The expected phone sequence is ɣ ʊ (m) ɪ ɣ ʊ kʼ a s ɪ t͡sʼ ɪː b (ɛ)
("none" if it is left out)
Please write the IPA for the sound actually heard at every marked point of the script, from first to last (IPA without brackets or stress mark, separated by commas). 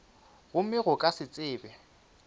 m, ɛ